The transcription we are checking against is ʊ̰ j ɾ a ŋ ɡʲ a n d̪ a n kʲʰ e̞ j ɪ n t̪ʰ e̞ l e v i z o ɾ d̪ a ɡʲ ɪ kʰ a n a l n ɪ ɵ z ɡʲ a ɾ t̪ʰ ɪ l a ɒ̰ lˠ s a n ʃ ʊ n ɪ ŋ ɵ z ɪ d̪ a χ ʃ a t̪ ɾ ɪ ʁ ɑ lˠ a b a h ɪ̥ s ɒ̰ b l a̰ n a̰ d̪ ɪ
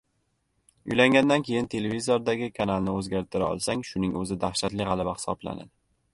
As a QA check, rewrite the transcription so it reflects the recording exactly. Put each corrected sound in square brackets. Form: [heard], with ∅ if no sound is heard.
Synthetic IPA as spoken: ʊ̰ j [l] a ŋ ɡʲ a n d̪ a n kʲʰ e̞ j ɪ n t̪ʰ e̞ l e v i z o ɾ d̪ a ɡʲ ɪ kʰ a n a l n ɪ ɵ z ɡʲ a ɾ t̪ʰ ɪ [ɾ] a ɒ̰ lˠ s a [ŋ] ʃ ʊ n ɪ ŋ ɵ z ɪ d̪ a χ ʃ a t̪ [l] ɪ ʁ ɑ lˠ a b a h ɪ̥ s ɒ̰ b l a̰ n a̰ d̪ ɪ